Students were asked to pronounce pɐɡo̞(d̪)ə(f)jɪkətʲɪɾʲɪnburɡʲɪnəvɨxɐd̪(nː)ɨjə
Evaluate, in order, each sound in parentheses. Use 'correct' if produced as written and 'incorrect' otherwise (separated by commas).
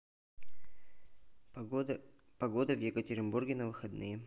correct, incorrect, incorrect